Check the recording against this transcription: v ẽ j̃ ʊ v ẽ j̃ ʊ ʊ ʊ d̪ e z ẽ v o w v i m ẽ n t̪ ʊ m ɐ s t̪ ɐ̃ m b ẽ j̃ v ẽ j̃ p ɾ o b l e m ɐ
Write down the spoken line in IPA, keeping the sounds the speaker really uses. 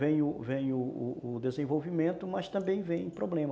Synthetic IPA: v ẽ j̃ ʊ v ẽ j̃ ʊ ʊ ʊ d̪ e z ẽ v o w v i m ẽ n t̪ ʊ m ɐ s t̪ ɐ̃ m b ẽ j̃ v ẽ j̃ p ɾ o b l ẽ m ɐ